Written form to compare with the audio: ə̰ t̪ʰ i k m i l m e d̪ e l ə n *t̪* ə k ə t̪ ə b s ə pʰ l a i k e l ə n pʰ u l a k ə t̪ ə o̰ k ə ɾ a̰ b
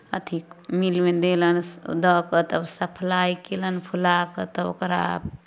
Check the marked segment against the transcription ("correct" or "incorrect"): incorrect